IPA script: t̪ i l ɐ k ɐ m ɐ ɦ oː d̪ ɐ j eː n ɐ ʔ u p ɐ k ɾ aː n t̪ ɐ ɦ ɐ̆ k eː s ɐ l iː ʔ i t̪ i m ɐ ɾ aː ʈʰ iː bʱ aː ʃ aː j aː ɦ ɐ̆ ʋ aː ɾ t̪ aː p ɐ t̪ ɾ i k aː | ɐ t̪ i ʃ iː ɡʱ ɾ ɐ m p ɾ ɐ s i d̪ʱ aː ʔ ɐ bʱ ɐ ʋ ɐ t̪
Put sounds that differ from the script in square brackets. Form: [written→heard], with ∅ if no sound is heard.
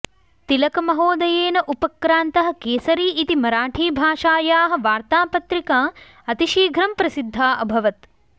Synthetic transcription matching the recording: t̪ i l ɐ k ɐ m ɐ ɦ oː d̪ ɐ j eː n ɐ ʔ u p ɐ k ɾ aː n t̪ ɐ ɦ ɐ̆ k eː s ɐ [l→ɾ] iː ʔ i t̪ i m ɐ ɾ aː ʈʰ iː bʱ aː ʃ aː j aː ɦ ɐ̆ ʋ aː ɾ t̪ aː p ɐ t̪ ɾ i k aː | ɐ t̪ i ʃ iː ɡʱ ɾ ɐ m p ɾ ɐ s i [d̪ʱ→d̪ʱː] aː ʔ ɐ bʱ ɐ ʋ ɐ t̪